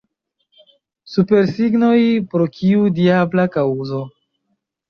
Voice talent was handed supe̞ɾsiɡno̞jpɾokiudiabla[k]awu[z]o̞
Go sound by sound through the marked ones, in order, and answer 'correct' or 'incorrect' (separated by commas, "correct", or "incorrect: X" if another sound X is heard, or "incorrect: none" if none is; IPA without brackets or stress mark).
correct, correct